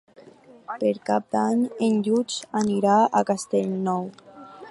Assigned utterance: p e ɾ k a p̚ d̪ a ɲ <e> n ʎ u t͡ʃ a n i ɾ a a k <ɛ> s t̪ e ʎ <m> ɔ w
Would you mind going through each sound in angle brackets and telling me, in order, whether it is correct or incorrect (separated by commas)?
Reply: correct, incorrect, incorrect